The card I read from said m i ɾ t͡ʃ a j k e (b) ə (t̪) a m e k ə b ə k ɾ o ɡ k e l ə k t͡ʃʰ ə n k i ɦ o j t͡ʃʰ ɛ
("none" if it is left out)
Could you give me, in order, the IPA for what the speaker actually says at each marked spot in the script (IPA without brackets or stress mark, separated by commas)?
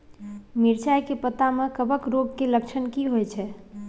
p, t̪